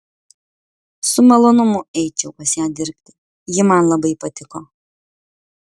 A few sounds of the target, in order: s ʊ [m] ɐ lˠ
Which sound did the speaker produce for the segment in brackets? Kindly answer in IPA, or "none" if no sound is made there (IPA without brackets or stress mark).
m